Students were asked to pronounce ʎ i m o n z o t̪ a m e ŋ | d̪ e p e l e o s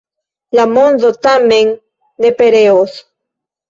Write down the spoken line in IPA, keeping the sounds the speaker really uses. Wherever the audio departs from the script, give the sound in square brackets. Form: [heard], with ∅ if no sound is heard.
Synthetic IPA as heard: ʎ [a] m o n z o t̪ a m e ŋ | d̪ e p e [ɾ] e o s